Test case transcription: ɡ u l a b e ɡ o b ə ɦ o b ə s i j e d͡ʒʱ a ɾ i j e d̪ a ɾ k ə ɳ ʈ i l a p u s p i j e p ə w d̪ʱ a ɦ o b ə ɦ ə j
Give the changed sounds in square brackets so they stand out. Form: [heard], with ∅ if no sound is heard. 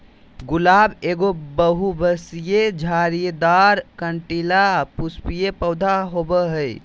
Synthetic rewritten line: ɡ u l a b e ɡ o b ə ɦ [u] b ə s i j e d͡ʒʱ a ɾ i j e d̪ a ɾ k ə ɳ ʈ i l a p u s p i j e p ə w d̪ʱ a ɦ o b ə ɦ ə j